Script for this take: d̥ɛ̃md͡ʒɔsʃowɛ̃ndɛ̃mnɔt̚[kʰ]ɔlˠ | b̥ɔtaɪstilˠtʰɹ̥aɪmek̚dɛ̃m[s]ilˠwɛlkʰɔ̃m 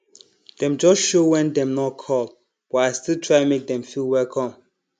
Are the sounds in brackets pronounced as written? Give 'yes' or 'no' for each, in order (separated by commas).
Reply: yes, no